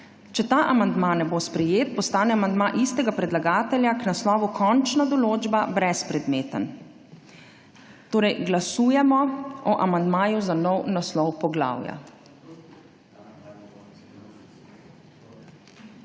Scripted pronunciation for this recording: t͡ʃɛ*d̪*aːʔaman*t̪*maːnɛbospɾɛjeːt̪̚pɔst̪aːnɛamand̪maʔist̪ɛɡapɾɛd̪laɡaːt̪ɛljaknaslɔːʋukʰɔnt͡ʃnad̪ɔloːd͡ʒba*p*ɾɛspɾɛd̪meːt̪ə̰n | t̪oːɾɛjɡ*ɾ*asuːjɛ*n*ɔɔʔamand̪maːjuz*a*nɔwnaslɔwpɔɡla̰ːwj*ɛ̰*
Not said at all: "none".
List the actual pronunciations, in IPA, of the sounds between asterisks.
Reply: t̪, d̪, b, l, m, a, a̰

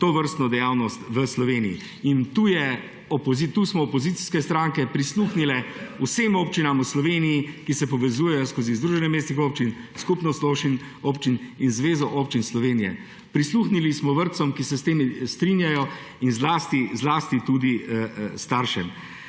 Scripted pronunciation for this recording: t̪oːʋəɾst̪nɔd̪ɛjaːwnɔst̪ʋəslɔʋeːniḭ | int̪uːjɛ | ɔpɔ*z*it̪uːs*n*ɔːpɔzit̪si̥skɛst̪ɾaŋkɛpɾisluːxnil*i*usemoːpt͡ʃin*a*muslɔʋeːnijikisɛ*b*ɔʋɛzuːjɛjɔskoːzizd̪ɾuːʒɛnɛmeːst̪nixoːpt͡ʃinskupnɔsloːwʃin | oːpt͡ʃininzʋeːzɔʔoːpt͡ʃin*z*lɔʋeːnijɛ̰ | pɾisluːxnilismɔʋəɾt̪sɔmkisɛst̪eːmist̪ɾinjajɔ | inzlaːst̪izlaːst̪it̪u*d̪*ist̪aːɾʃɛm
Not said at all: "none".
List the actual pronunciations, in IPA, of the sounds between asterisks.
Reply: z, m, ɛ, a, p, s, d̪

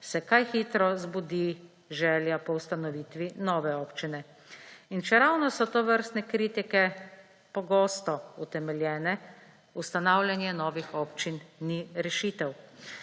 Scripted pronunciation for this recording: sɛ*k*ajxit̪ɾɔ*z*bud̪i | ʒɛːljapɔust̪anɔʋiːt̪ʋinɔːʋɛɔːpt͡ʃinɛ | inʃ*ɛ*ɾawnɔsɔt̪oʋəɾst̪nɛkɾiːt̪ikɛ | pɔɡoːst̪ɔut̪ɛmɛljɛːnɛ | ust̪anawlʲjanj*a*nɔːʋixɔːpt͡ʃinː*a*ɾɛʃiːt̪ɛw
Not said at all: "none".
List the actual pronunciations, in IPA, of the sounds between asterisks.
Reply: k, z, ɛ, ɛ, i

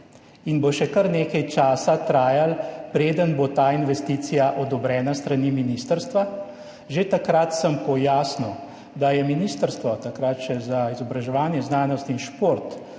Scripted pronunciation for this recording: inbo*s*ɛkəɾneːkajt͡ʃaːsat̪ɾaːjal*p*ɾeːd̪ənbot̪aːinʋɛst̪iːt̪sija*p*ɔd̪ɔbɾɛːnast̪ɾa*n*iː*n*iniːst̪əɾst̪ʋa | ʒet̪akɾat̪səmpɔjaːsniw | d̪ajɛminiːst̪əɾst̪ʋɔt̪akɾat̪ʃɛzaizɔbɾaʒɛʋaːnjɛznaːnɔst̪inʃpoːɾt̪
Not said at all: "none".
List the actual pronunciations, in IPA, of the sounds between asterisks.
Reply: ʃ, p, ʔ, n, m

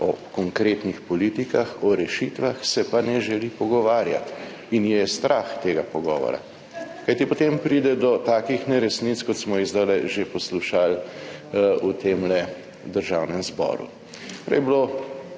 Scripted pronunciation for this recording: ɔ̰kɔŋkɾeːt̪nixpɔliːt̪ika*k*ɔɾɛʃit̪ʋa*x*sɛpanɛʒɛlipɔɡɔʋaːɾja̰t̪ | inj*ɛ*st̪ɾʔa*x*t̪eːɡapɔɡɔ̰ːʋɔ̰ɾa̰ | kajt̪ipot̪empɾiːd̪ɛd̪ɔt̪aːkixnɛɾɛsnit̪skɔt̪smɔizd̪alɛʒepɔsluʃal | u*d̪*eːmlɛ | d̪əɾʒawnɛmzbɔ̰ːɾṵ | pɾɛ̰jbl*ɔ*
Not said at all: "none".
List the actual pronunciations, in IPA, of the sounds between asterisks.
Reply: x, x, ɛ, x, t̪, o

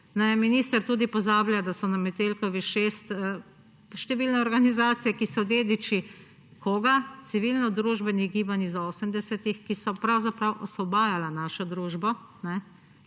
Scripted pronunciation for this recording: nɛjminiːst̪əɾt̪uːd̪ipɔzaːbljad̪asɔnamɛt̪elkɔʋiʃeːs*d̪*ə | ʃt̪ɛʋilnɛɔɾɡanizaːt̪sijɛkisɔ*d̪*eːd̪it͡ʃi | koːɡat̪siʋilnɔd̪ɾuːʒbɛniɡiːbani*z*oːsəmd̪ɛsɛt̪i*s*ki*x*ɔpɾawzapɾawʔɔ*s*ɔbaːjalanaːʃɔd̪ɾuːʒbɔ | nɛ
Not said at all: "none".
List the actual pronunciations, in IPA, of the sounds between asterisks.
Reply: t̪, d̪, z, x, s, s

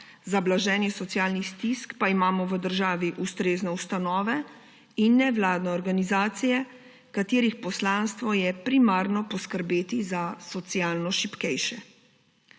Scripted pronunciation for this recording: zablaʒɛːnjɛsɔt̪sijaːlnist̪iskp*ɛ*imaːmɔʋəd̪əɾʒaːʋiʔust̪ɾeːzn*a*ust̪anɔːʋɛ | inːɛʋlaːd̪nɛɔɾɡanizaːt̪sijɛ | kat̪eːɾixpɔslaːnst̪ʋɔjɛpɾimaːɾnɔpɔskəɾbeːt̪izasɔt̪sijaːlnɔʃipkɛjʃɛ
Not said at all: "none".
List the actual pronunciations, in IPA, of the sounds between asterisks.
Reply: a, ɛ

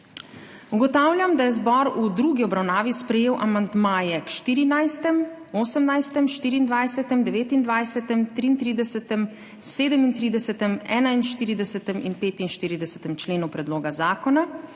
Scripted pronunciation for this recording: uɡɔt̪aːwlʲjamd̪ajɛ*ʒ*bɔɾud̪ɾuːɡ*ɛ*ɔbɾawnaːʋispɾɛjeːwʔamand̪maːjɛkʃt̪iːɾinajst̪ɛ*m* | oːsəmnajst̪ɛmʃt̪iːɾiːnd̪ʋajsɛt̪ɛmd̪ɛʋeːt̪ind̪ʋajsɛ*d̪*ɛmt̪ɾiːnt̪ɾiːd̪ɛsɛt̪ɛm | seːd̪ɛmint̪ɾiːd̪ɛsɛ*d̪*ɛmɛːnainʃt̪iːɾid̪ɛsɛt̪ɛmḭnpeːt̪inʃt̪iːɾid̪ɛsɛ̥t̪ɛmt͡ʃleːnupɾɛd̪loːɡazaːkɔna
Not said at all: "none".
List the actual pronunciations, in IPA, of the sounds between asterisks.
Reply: z, i, m, t̪, t̪

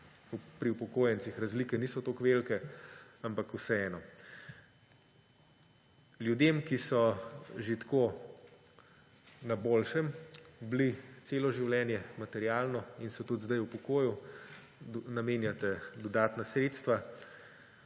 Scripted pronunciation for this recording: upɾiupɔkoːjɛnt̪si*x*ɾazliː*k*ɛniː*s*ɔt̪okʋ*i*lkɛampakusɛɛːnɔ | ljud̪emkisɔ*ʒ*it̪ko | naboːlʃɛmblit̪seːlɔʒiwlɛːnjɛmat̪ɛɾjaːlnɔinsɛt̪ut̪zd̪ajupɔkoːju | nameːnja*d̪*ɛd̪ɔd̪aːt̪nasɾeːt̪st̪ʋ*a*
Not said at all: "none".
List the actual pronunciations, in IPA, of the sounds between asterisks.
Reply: x, k, s, e, ʒ, t̪, a

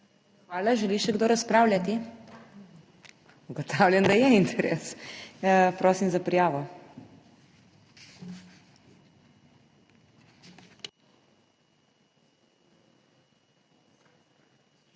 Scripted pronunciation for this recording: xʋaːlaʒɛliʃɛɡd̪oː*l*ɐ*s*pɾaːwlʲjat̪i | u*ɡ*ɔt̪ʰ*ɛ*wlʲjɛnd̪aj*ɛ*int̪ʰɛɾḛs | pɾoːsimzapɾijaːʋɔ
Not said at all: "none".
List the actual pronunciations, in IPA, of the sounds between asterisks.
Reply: ɾ, s, ɡ, a, ɛ

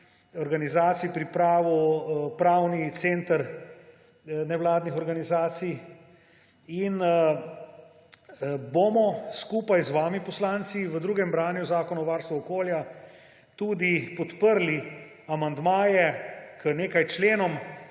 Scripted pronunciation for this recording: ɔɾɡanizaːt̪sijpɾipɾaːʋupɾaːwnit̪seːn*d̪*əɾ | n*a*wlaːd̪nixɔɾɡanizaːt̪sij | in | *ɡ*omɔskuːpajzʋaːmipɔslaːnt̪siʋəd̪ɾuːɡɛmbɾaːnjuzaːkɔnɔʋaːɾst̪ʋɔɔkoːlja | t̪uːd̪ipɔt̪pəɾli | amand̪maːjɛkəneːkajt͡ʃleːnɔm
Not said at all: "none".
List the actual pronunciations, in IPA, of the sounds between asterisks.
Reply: t̪, ɛ, b

